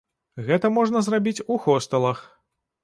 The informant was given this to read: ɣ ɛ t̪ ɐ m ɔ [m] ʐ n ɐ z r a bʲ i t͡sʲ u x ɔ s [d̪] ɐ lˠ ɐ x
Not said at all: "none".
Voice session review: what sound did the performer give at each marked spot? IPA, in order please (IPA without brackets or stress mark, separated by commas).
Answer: none, t̪